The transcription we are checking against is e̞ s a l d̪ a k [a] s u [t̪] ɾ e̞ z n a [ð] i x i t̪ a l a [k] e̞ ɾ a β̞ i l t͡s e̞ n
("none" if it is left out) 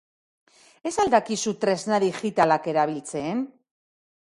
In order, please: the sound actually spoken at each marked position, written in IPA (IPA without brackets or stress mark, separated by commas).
i, t̪, ð, k